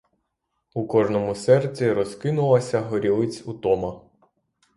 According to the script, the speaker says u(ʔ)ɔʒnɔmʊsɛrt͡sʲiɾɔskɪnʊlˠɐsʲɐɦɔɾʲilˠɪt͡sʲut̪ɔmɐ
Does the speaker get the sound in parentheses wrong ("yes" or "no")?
yes